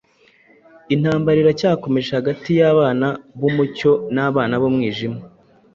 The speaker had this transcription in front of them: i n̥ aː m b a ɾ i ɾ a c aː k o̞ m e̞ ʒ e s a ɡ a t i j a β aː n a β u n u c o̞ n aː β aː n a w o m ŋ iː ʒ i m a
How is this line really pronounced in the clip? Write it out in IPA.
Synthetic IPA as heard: i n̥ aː m b a ɾ i ɾ a c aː k o̞ m e̞ ʒ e h a ɡ a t i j a β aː n a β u m u c o̞ n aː β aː n a β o m ŋ iː ʒ i m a